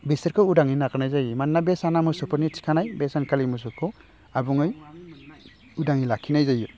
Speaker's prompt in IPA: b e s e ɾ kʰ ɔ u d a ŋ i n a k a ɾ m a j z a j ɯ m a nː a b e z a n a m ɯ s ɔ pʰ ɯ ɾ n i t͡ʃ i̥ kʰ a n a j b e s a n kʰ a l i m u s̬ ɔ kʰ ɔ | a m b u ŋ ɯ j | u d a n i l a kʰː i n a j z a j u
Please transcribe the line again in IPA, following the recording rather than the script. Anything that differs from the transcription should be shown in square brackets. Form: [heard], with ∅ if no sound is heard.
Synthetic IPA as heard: b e s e ɾ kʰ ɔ u d a ŋ i n a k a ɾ [n] a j z a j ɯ m a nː a b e [s] a n a m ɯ s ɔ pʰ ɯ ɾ n i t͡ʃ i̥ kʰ a n a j b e s a n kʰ a l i m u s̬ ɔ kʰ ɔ | a [∅] b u ŋ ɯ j | u d a [ŋ] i l a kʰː i n a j z a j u